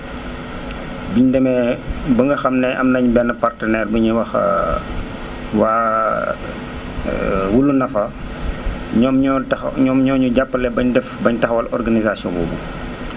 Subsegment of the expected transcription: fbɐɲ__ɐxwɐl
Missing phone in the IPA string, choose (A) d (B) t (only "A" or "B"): B